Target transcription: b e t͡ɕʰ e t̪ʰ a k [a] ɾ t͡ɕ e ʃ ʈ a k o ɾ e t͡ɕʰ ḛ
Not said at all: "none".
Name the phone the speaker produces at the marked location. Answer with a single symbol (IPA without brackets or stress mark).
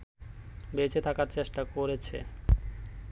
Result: a